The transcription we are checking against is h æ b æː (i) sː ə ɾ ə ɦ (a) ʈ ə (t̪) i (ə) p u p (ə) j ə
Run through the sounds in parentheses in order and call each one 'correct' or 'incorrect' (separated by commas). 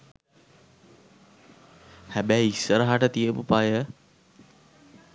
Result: correct, correct, correct, correct, incorrect